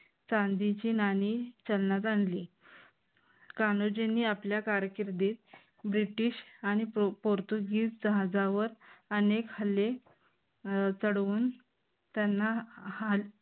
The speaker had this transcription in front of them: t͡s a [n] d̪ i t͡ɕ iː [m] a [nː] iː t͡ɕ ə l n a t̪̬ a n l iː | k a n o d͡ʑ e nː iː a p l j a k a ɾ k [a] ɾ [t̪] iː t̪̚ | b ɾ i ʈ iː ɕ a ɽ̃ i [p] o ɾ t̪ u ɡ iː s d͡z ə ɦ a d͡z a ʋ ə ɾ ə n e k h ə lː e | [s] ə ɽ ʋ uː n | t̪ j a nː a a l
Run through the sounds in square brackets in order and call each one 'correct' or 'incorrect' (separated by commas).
correct, incorrect, incorrect, incorrect, incorrect, correct, incorrect